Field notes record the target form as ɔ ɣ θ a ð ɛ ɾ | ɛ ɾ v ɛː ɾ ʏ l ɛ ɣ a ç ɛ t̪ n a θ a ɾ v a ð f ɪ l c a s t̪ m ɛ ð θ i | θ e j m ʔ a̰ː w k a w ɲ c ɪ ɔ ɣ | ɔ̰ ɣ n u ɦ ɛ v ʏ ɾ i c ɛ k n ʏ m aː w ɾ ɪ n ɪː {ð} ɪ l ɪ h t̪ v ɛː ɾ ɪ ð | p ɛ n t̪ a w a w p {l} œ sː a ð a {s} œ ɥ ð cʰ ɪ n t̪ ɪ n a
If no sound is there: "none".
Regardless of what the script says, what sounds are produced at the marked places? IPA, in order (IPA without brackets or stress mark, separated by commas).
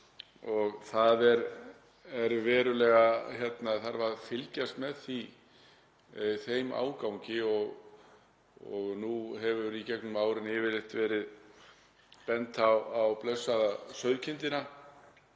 v, l, s